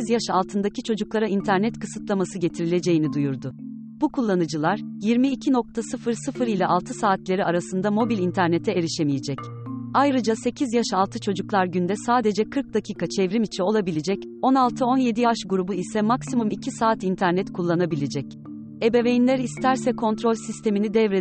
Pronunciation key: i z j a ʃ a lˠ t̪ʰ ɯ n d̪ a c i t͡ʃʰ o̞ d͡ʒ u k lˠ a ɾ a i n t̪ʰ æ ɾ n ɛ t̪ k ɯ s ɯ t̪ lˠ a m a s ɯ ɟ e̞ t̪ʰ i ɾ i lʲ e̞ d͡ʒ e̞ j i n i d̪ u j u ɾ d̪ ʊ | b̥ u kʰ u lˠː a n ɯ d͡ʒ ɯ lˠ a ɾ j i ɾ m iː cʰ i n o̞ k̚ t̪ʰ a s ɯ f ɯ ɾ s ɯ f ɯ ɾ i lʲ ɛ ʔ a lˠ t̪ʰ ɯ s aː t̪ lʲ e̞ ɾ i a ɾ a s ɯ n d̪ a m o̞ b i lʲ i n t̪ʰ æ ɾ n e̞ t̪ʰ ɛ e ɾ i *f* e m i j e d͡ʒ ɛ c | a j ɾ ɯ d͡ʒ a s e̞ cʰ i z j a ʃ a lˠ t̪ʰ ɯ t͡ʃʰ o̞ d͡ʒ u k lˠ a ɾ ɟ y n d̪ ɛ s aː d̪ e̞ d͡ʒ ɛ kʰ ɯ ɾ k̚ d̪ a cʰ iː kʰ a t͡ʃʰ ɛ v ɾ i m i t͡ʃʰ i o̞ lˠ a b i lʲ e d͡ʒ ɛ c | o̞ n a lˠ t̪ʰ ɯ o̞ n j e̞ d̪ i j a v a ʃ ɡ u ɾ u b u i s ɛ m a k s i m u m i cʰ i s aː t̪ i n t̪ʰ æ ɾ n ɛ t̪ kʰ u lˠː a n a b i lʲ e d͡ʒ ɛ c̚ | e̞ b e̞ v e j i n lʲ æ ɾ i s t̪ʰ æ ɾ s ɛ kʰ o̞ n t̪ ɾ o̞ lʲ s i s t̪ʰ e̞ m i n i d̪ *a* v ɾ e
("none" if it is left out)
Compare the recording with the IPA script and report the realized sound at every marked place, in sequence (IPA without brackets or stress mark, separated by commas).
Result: ʃ, ɛ